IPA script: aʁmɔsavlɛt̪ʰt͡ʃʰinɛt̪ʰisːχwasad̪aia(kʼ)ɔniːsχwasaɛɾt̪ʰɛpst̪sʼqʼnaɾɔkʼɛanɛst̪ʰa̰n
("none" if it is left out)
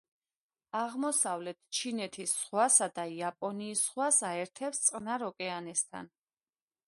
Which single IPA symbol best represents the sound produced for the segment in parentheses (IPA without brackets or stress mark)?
pʼ